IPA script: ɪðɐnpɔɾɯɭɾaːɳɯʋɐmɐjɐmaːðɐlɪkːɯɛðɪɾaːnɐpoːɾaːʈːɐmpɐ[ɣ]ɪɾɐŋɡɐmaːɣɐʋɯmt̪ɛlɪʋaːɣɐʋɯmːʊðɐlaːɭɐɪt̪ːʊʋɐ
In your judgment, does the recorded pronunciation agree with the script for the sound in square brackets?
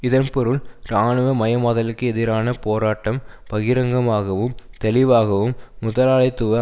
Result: yes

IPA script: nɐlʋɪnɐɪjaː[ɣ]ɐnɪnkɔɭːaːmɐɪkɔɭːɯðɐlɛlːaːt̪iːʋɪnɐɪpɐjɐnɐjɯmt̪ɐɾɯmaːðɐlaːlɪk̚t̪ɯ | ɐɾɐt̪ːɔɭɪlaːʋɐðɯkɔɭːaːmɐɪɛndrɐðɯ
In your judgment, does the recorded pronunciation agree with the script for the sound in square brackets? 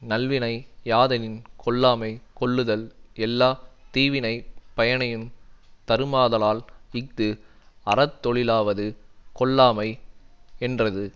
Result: no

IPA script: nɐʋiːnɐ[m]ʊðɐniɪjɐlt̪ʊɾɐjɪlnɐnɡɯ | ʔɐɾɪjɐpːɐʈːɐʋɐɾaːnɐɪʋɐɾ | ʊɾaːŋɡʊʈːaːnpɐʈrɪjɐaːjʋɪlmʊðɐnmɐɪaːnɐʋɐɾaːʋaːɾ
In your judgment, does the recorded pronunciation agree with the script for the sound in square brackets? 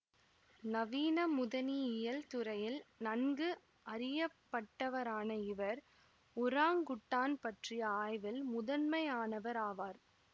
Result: yes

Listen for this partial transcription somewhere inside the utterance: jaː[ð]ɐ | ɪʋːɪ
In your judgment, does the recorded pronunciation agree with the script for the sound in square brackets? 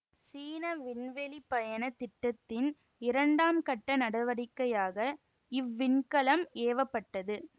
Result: no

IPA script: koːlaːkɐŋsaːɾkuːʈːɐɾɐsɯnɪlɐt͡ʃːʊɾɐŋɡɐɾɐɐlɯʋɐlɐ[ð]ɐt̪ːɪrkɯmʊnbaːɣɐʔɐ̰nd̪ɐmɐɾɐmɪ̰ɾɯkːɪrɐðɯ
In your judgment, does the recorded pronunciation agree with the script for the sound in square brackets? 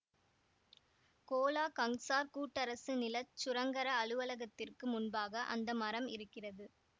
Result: no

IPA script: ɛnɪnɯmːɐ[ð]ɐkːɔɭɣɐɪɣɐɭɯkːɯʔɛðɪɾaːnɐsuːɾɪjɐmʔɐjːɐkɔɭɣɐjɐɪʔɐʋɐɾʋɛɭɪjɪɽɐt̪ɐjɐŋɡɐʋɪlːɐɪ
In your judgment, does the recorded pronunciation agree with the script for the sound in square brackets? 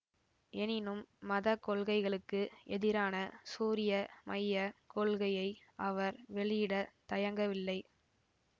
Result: yes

